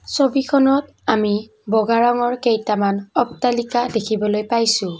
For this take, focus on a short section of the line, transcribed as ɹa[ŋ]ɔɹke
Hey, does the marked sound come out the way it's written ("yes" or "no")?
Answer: yes